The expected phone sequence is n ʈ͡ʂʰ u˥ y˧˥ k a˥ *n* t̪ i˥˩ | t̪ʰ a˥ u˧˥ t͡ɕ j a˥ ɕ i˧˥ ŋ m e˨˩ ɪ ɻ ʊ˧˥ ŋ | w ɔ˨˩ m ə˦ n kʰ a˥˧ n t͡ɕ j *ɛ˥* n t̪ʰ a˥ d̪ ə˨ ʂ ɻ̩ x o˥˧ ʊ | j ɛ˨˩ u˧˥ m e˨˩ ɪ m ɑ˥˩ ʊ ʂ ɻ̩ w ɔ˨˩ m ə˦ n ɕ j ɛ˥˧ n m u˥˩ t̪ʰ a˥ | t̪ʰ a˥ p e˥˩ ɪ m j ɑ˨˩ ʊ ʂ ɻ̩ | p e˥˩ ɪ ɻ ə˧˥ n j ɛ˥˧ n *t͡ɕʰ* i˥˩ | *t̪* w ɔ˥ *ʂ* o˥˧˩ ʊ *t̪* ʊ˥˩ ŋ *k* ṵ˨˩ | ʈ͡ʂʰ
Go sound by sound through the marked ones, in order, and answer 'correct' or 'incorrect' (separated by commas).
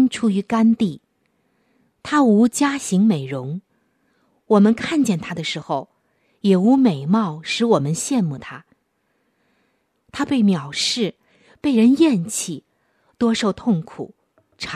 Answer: correct, incorrect, correct, correct, correct, incorrect, incorrect